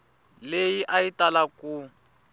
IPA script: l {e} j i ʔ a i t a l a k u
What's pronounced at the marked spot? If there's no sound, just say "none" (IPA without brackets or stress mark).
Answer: e